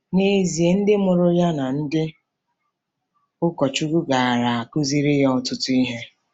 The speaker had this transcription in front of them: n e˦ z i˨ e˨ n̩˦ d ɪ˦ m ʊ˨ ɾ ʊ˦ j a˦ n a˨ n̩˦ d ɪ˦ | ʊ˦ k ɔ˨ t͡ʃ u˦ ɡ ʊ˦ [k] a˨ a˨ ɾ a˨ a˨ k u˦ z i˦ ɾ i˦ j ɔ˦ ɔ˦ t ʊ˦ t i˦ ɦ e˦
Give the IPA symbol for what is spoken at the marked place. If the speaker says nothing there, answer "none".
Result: ɡ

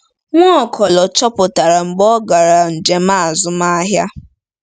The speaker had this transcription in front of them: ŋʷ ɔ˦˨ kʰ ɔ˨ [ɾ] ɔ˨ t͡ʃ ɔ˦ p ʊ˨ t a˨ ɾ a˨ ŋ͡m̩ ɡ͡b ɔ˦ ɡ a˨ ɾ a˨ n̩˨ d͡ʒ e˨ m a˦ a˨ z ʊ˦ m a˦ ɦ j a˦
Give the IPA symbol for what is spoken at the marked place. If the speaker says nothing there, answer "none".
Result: l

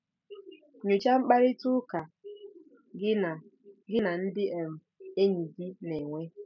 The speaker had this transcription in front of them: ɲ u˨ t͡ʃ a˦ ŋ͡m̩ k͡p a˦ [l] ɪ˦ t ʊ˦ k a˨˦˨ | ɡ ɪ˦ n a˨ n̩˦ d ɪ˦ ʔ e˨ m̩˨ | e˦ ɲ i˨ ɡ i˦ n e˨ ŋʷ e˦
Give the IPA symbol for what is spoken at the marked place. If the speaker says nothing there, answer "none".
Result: ɾ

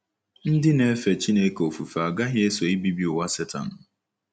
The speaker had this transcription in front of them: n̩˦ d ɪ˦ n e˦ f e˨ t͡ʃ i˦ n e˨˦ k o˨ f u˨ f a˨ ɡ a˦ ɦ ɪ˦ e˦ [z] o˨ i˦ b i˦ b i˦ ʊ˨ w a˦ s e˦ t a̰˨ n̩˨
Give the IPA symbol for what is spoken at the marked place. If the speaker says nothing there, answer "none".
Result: s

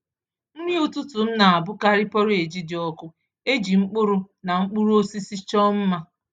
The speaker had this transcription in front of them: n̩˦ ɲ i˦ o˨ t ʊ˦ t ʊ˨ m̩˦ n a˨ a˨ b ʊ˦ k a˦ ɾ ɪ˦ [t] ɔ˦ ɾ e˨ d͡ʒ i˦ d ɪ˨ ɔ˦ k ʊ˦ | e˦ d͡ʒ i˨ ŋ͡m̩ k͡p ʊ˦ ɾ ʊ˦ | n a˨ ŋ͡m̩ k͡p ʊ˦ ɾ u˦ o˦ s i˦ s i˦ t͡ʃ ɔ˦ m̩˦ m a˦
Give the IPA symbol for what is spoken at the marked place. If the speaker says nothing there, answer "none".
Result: p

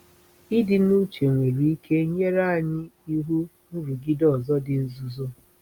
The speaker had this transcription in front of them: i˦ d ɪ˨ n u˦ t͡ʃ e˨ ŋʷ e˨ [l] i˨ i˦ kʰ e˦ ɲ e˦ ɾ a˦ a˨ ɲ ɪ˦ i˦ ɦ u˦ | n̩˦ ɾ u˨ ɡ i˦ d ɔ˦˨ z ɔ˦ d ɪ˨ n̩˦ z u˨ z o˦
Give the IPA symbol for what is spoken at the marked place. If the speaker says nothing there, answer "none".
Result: ɾ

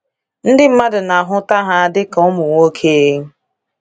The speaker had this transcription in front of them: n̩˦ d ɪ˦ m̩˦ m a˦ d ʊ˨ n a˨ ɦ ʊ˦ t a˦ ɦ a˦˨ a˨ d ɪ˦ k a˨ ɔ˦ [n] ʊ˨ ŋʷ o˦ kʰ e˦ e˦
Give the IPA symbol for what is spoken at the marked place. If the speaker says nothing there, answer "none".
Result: m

